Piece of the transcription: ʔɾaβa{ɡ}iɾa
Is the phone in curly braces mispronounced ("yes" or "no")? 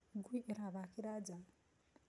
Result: yes